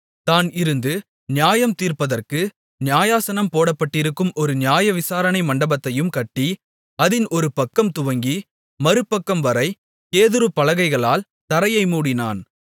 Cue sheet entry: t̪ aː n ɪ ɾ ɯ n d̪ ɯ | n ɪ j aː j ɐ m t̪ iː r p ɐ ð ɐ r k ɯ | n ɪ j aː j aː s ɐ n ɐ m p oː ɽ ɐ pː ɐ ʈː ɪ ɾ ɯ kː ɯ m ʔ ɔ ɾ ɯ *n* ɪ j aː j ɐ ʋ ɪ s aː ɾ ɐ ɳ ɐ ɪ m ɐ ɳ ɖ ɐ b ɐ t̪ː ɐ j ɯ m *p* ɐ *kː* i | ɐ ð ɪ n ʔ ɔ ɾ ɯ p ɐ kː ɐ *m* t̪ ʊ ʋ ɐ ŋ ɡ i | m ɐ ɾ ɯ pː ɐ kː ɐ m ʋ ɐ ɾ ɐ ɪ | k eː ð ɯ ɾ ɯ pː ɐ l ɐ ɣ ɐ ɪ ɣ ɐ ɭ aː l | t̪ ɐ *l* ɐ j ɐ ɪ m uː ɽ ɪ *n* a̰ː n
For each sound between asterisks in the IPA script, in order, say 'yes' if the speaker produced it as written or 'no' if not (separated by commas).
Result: yes, no, no, yes, no, yes